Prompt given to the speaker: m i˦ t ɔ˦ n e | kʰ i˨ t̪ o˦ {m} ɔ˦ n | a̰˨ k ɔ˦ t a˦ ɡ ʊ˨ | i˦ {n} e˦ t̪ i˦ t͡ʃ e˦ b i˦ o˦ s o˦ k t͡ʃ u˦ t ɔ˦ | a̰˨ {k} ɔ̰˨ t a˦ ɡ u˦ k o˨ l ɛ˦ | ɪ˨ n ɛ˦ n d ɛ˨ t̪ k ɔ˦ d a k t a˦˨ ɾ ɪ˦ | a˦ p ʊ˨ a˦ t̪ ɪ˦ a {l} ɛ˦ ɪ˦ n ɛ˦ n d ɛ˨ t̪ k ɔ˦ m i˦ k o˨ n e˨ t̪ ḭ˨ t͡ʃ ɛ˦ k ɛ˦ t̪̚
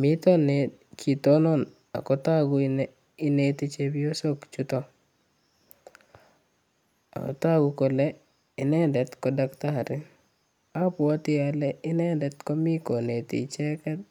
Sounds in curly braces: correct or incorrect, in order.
incorrect: n, correct, correct, correct

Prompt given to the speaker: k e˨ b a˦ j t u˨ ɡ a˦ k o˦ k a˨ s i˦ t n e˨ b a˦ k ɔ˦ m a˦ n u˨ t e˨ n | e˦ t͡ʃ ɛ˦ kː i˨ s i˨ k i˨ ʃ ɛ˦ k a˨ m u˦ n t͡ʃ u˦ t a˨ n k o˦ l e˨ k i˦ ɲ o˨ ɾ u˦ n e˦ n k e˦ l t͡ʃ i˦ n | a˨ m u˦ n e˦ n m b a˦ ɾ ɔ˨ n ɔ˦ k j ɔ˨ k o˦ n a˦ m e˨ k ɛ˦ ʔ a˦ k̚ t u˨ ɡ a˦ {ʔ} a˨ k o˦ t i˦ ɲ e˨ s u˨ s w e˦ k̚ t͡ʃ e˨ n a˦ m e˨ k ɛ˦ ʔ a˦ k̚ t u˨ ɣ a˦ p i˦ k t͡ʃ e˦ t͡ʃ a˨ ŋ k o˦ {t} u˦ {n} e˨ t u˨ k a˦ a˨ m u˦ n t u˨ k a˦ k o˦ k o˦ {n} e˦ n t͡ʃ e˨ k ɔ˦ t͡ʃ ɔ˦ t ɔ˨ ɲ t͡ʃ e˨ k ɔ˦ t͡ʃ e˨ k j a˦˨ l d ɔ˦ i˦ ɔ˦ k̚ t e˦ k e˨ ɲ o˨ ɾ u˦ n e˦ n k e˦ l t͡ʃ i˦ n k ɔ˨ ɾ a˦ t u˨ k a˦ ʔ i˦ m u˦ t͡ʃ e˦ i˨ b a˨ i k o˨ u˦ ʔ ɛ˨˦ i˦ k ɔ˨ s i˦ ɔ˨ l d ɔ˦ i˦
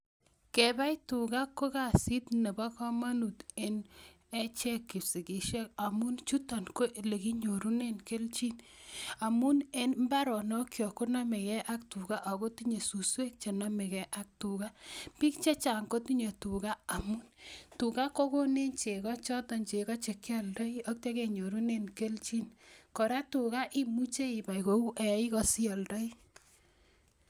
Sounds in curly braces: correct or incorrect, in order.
correct, correct, incorrect: ɲ, correct

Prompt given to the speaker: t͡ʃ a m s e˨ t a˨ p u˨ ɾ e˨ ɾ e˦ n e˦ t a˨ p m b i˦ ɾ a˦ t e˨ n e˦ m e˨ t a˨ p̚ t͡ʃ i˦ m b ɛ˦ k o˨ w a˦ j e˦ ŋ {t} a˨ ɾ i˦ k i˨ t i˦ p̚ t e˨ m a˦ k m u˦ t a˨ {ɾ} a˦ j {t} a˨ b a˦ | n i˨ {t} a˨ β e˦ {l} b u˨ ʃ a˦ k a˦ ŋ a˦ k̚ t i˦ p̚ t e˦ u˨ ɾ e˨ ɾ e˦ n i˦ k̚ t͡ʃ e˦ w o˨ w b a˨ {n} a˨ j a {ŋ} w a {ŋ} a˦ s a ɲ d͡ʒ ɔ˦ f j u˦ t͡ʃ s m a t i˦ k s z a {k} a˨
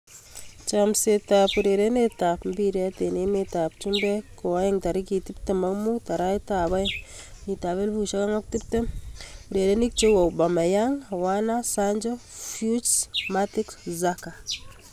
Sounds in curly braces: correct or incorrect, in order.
correct, correct, correct, correct, correct, incorrect: m, correct, incorrect: n, correct

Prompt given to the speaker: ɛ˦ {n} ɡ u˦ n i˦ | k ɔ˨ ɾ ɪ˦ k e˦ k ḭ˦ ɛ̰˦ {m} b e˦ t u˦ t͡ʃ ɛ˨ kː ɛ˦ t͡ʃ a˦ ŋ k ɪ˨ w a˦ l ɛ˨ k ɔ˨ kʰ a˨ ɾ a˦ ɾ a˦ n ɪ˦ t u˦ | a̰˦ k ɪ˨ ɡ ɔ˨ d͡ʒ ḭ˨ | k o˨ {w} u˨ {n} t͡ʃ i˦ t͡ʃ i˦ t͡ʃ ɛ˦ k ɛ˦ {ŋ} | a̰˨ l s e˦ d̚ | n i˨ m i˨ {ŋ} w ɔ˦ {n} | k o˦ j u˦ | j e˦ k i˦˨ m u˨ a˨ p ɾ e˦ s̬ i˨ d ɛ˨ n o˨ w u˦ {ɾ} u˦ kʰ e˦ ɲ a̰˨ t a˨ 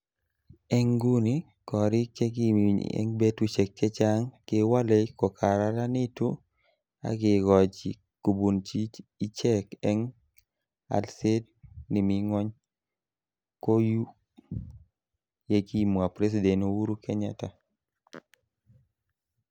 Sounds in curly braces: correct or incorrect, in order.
incorrect: ŋ, incorrect: ŋ, incorrect: b, correct, correct, correct, incorrect: ɲ, correct

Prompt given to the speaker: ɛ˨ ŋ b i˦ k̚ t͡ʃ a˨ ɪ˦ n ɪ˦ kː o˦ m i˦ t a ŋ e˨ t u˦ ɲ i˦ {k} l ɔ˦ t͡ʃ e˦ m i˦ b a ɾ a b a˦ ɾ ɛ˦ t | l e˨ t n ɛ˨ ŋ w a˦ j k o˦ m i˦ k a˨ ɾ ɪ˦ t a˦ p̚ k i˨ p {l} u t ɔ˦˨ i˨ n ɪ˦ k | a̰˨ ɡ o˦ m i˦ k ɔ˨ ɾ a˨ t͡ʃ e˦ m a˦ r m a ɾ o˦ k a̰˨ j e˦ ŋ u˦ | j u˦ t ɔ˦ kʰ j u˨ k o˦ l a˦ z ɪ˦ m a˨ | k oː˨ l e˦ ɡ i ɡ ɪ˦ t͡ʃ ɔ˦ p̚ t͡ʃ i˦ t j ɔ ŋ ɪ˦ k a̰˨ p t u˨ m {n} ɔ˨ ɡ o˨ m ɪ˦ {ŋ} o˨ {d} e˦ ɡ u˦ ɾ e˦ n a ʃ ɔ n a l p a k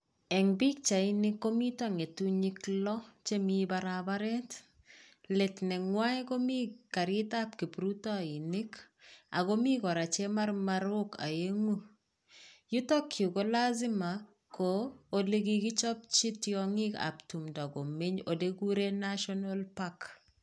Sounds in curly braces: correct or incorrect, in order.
correct, incorrect: ɾ, incorrect: d, incorrect: ɲ, correct

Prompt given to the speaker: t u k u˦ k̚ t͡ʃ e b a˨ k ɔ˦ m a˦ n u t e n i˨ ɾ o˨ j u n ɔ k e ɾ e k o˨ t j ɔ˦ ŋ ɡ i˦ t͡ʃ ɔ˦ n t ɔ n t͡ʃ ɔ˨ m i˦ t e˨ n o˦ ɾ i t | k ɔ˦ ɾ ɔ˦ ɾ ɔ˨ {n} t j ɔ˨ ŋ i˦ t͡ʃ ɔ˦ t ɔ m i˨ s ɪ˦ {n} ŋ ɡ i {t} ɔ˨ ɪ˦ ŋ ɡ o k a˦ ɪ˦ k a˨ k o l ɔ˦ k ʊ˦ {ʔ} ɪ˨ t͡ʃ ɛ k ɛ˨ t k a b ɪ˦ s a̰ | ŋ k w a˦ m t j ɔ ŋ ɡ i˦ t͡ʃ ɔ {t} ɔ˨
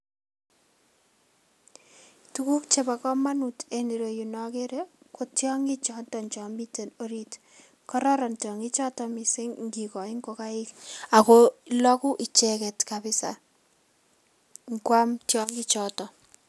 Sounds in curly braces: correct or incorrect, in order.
correct, incorrect: ŋ, incorrect: k, correct, correct

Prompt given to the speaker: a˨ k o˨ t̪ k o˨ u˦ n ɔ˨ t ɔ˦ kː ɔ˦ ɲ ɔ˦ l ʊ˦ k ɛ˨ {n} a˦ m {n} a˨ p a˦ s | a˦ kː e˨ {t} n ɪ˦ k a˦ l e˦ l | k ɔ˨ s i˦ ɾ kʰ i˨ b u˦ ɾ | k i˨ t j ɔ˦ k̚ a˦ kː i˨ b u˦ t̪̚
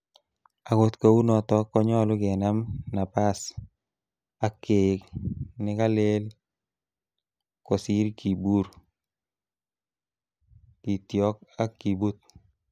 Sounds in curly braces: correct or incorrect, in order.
correct, correct, incorrect: k

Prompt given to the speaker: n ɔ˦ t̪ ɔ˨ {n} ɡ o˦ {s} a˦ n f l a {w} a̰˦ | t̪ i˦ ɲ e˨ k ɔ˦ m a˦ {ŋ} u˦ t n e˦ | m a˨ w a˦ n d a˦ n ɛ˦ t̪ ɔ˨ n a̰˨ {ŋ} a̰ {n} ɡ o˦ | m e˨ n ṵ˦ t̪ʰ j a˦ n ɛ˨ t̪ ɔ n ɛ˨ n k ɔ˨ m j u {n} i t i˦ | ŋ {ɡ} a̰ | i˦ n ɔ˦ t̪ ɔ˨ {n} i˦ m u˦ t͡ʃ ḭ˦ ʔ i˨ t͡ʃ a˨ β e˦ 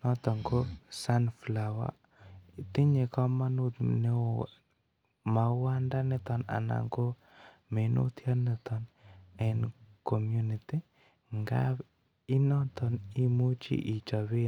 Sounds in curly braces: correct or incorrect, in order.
incorrect: ŋ, correct, correct, incorrect: n, incorrect: n, incorrect: ŋ, correct, correct, correct

